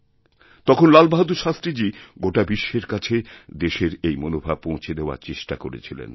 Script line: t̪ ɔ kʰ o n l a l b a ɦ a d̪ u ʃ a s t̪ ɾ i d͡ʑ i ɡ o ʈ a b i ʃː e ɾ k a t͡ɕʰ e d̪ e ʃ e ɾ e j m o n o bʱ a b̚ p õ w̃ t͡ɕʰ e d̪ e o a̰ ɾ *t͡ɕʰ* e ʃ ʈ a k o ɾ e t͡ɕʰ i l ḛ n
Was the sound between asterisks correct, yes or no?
no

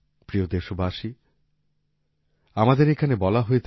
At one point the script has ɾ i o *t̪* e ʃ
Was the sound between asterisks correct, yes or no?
no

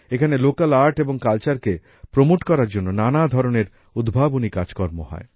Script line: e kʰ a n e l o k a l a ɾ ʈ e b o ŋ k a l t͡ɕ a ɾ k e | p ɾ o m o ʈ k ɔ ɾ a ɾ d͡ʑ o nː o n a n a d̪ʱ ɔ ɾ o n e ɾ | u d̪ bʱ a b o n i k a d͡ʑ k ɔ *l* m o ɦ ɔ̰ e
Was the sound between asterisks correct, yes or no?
no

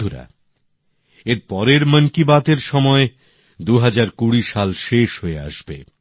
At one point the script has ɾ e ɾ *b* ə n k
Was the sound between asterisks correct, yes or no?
no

